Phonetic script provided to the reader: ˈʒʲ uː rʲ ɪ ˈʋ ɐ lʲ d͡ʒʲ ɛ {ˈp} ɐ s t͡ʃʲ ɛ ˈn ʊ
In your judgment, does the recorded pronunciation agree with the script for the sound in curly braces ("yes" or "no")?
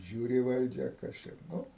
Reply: no